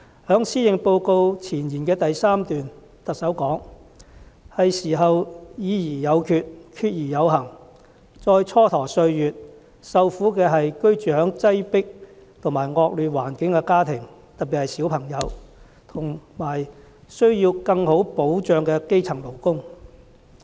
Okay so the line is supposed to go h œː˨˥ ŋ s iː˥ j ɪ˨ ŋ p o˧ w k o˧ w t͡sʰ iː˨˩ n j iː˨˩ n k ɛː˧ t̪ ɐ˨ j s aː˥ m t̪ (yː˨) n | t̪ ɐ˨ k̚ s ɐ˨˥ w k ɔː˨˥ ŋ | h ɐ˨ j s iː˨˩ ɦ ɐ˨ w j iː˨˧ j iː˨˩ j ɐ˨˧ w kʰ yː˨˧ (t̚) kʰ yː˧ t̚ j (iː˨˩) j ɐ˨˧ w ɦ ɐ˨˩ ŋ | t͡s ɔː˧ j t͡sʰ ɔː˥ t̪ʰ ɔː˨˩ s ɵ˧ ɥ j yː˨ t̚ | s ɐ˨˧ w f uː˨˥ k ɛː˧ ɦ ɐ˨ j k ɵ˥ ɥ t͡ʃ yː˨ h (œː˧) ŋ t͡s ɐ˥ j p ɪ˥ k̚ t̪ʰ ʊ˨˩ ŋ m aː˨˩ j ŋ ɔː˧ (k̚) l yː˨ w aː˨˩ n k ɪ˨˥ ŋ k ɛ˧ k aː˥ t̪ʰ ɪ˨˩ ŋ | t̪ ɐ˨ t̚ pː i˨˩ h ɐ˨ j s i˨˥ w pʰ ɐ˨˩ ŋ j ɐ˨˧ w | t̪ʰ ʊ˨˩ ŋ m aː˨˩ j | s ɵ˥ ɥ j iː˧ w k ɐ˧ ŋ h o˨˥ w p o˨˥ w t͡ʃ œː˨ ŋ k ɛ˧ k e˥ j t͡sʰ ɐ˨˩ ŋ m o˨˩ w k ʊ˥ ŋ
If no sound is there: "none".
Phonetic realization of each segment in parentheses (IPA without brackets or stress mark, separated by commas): yː˨, t̚, iː˨˩, œː˨˥, k̚